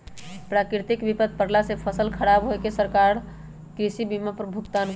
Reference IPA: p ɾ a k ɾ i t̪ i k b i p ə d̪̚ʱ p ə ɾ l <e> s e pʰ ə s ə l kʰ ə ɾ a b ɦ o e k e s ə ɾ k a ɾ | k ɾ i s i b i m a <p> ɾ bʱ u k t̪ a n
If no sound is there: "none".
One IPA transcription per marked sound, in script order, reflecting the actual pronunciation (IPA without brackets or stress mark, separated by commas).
a, p